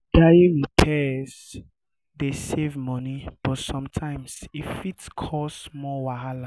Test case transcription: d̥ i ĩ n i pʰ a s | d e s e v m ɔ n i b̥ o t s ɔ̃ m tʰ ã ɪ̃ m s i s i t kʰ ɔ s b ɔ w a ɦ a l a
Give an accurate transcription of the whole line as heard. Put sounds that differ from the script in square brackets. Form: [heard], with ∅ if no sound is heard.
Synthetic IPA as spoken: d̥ [a] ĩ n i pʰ [ɛ] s | d e s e v m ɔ n i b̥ [ɔ] t s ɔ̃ m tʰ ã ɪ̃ m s i [f] i t kʰ ɔ s [m] ɔ w a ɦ a l a